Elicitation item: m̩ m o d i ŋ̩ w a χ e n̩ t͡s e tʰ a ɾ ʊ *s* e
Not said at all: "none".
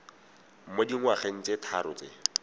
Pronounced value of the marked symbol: t͡s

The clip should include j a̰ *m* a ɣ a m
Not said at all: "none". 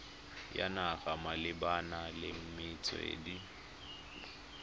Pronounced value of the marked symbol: n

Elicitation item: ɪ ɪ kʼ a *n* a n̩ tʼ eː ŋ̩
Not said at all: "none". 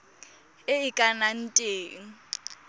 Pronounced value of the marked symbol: n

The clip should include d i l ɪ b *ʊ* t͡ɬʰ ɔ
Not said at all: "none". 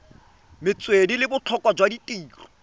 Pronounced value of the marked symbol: ʊ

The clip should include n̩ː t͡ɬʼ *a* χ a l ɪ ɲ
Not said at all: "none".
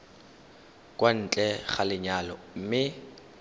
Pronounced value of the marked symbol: ɛ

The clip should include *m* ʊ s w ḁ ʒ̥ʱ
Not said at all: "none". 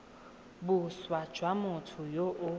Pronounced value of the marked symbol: b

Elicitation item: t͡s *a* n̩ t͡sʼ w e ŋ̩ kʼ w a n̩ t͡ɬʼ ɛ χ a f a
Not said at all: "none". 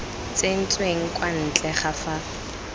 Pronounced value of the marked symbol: e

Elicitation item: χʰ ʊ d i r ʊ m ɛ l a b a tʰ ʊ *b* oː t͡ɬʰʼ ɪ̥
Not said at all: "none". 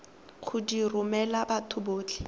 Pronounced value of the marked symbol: b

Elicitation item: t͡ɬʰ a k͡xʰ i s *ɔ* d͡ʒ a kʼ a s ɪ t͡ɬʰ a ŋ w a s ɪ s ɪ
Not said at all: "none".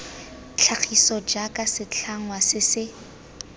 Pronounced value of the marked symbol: ɔ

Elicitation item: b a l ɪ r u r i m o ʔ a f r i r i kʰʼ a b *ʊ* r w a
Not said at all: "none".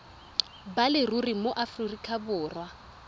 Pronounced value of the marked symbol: ʊː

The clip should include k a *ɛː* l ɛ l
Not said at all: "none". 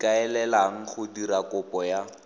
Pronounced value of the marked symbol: ɛ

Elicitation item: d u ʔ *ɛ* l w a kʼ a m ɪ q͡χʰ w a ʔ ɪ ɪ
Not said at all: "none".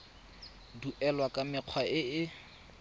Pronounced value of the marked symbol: ɛ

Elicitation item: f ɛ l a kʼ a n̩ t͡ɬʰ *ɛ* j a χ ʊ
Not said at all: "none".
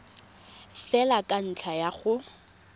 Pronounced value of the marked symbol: a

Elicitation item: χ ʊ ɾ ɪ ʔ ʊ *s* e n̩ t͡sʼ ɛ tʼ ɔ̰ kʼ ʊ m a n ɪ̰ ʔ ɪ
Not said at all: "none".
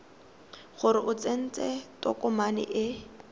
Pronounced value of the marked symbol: t͡s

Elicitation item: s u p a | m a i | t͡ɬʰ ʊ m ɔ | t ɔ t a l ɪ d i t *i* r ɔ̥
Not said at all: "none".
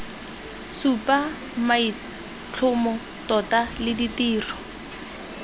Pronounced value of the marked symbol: iː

